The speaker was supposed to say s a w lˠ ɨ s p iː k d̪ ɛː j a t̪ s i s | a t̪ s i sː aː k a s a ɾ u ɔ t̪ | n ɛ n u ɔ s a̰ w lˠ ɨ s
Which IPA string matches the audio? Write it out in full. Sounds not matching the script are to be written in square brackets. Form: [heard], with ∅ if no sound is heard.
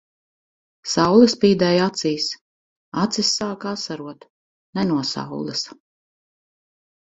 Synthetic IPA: s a w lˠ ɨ s p iː [∅] d̪ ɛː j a t̪ s [iː] s | a t̪ s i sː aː k a s a ɾ u ɔ t̪ | n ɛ n u ɔ s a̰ w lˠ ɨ s